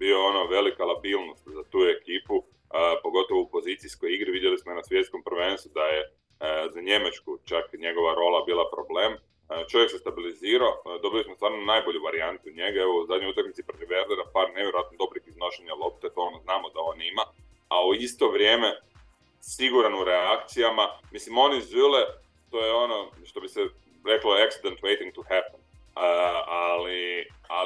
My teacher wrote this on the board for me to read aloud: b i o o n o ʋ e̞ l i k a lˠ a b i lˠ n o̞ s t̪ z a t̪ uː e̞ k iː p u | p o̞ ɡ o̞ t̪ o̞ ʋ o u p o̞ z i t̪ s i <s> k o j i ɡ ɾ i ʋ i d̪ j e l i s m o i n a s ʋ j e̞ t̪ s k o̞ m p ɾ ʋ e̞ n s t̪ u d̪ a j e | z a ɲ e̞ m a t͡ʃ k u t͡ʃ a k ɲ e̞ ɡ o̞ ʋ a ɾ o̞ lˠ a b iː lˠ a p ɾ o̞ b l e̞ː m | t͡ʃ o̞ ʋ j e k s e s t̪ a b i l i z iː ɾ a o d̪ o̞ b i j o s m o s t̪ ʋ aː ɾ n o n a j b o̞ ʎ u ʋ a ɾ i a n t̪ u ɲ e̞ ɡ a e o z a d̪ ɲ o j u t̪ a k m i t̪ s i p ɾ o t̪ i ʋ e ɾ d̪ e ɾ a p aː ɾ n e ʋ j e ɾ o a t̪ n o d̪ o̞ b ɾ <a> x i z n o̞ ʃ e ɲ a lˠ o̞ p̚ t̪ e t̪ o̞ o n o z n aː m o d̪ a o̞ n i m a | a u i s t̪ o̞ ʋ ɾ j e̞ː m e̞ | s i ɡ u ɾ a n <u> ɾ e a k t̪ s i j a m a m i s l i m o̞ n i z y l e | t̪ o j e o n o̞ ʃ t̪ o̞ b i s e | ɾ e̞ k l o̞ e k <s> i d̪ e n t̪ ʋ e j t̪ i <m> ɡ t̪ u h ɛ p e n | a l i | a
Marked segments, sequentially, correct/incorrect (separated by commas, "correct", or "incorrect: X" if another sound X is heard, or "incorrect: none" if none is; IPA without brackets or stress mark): correct, incorrect: i, correct, correct, incorrect: ŋ